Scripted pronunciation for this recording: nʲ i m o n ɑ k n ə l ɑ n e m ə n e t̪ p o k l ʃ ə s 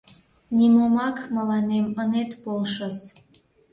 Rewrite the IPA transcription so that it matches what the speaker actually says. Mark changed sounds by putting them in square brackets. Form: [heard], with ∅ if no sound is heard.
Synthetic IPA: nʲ i m o [m] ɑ k [m] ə l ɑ n e m ə n e t̪ p o [∅] l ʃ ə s